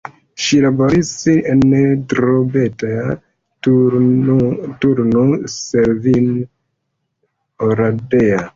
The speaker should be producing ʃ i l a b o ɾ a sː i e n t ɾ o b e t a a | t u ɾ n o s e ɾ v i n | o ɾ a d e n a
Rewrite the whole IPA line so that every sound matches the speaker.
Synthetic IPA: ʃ i l a b o ɾ i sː i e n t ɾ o b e t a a | t u ɾ n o s e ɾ v i n | o ɾ a d e a